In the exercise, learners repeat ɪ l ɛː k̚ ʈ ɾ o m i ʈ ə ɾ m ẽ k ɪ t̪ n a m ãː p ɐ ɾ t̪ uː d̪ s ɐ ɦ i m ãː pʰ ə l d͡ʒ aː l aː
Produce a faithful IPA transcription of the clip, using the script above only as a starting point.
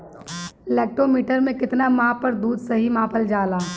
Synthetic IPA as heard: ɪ l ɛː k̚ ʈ ɾ o m iː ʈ ə ɾ m ẽ k ɪ t̪ n a m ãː p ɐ ɾ d̪ uː d̪ s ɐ ɦ i m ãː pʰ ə l d͡ʒ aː l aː